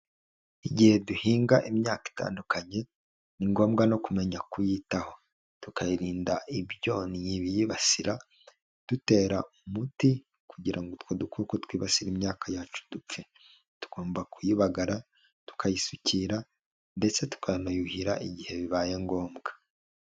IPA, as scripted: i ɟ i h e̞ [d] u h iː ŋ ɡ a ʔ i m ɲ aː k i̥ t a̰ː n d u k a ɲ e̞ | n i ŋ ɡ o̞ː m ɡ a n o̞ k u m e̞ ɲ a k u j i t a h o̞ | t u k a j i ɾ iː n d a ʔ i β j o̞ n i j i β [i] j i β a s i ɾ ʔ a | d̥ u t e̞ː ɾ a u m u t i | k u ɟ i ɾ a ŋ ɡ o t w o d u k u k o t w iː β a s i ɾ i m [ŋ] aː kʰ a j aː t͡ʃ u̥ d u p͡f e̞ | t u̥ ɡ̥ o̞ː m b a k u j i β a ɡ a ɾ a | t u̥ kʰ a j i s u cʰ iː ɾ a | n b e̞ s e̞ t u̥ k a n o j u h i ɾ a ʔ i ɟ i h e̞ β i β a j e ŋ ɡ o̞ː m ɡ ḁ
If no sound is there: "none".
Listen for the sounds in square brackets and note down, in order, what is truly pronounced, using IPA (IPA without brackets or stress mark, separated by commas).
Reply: d, i, ɲ